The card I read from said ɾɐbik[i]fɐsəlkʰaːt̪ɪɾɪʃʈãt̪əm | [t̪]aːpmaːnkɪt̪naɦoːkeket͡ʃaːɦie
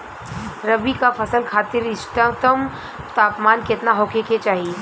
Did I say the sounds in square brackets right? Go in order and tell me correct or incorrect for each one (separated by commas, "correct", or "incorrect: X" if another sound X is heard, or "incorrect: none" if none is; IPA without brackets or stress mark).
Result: incorrect: a, correct